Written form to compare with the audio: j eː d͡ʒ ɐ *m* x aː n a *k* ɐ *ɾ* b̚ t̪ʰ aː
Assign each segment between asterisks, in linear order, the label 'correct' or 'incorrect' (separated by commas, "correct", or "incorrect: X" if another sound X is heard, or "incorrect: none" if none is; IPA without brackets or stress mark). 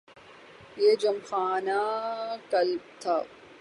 correct, correct, incorrect: l